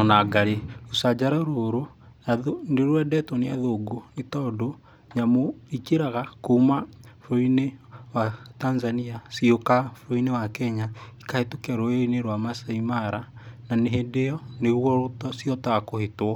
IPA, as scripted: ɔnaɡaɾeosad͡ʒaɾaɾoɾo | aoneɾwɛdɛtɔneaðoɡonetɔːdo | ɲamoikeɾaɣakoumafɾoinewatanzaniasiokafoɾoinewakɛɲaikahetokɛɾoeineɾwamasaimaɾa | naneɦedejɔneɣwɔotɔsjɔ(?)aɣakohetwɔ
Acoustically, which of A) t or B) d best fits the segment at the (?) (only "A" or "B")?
A